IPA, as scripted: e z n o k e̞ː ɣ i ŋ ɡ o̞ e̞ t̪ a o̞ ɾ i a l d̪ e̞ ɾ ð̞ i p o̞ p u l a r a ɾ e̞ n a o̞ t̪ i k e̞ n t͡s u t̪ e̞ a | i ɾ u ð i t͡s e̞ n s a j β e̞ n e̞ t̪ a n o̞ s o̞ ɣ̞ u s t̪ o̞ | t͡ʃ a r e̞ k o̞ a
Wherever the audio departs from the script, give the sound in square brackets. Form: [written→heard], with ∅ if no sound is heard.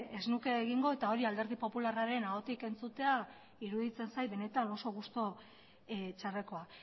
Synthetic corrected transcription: e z n [o→u] k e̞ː ɣ i ŋ ɡ o̞ e̞ t̪ a o̞ ɾ i a l d̪ e̞ ɾ ð̞ i p o̞ p u l a r a ɾ e̞ n a o̞ t̪ i k e̞ n t͡s u t̪ e̞ a | i ɾ u ð i t͡s e̞ n s a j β e̞ n e̞ t̪ a n o̞ s o̞ ɣ̞ u s t̪ o̞ | t͡ʃ a r e̞ k o̞ a